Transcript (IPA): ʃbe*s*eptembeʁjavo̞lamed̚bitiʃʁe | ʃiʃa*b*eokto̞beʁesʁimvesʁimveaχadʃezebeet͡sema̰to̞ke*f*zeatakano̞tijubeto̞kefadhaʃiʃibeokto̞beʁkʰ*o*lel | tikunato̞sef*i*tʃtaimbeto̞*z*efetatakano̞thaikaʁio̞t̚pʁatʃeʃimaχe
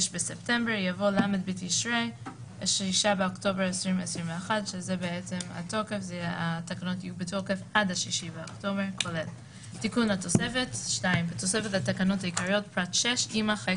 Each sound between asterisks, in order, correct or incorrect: correct, correct, correct, correct, incorrect: e, incorrect: s

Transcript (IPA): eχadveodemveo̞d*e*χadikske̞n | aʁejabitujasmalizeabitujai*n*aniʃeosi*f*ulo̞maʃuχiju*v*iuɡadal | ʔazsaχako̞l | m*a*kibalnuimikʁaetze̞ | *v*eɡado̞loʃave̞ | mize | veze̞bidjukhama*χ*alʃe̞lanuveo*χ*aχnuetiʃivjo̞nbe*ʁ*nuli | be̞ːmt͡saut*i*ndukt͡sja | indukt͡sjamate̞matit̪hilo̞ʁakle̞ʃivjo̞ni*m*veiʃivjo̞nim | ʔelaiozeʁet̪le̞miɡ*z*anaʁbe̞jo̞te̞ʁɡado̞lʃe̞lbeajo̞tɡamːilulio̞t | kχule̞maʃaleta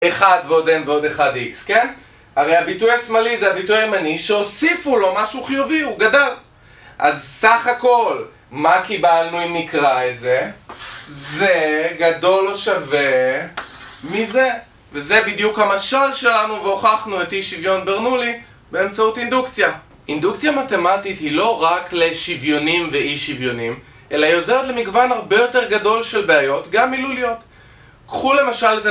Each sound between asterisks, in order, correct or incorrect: correct, incorrect: m, correct, correct, correct, incorrect: z, incorrect: ʃ, correct, correct, correct, correct, incorrect: v

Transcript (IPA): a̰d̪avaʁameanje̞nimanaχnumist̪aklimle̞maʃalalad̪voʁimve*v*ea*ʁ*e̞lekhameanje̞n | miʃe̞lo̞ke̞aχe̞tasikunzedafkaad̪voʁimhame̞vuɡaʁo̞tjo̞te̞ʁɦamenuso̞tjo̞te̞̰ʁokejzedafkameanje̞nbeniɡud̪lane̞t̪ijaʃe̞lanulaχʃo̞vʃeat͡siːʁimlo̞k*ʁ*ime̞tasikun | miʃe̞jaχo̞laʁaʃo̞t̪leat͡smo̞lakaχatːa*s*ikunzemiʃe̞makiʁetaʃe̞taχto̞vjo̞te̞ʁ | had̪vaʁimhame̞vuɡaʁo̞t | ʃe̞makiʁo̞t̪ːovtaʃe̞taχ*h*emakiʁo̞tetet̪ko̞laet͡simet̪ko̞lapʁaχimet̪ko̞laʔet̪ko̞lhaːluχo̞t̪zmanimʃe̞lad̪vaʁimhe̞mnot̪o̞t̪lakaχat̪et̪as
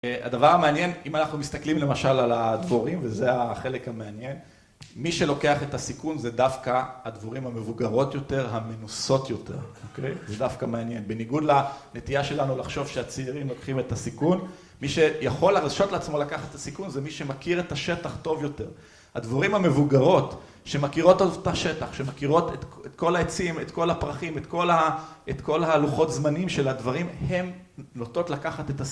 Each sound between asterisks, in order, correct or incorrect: incorrect: z, incorrect: χ, incorrect: χ, correct, incorrect: ʃ

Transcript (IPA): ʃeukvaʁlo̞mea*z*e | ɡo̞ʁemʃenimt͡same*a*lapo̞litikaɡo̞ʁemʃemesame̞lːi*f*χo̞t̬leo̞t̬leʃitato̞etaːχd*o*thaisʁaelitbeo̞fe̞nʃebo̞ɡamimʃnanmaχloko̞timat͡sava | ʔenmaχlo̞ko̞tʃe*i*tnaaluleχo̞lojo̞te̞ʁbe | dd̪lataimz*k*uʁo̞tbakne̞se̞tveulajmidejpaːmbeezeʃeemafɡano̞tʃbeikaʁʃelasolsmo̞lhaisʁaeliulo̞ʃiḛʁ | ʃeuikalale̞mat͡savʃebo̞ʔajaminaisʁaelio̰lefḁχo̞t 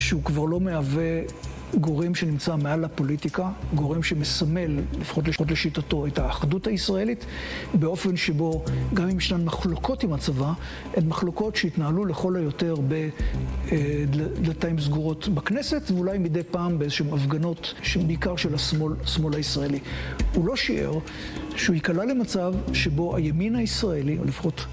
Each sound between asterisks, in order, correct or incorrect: incorrect: v, correct, correct, incorrect: u, correct, incorrect: ɡ

